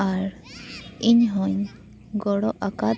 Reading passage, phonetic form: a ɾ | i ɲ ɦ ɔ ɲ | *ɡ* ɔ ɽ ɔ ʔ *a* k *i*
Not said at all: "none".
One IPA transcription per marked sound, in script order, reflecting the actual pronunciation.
ɡ, a, a

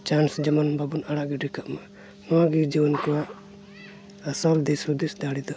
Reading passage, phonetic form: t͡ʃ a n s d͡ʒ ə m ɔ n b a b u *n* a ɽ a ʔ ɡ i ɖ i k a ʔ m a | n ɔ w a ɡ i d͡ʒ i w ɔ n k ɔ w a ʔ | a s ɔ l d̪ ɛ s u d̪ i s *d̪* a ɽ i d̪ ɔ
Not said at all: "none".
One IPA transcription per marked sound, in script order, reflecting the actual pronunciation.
n, d̪

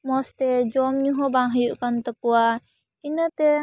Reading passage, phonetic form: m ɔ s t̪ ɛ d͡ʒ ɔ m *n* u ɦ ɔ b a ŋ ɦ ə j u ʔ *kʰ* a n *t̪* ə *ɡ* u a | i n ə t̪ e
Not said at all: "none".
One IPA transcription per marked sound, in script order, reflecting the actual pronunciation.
ɲ, k, t̪, k

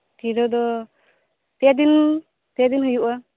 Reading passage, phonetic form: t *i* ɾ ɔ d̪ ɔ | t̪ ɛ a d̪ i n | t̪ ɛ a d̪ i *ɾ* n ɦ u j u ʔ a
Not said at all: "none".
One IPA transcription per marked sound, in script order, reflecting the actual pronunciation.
i, none

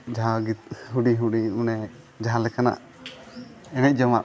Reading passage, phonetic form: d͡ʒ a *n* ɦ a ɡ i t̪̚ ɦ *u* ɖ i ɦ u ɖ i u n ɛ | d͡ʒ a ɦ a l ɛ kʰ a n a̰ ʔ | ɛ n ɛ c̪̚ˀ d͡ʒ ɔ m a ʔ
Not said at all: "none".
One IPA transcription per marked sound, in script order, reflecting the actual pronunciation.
none, u

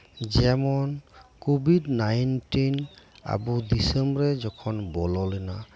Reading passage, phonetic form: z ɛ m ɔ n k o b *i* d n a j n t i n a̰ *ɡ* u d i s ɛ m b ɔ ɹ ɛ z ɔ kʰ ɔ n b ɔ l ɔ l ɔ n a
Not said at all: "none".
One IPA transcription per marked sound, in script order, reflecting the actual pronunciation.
i, b

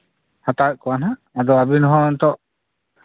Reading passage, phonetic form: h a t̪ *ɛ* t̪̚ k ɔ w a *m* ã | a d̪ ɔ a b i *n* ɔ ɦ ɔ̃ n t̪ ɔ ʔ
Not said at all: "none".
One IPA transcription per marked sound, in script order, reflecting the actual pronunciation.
a, n, n

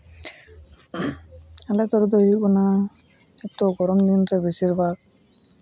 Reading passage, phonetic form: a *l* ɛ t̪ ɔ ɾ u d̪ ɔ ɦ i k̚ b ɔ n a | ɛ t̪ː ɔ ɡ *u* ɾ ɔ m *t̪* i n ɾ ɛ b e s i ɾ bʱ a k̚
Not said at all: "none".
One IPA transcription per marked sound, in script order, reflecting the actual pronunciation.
l, ɔ, d̪

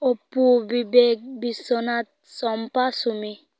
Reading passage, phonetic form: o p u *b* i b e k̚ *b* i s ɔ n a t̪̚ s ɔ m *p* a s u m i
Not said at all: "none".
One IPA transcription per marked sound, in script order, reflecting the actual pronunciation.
b, b, p

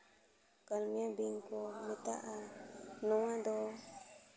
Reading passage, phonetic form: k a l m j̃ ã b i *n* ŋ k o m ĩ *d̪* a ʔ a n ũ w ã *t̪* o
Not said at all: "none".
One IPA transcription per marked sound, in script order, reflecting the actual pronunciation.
none, t̪, d̪

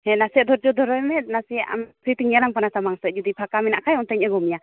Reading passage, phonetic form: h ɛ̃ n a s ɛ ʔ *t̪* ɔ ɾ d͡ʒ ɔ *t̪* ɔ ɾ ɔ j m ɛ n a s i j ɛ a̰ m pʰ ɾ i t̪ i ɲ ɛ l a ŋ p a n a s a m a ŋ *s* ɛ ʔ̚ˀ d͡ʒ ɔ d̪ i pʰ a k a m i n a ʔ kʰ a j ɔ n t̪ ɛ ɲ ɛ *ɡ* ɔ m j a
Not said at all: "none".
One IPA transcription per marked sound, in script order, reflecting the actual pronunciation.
d̪, d̪, s, ɡ

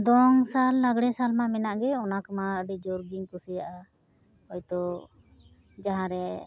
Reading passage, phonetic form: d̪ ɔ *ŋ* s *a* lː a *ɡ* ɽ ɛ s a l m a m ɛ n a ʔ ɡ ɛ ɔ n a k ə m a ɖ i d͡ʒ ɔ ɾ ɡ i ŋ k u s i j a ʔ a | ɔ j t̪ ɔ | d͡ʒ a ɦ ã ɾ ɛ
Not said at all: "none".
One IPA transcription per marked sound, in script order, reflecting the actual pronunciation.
ŋ, a, ɡ

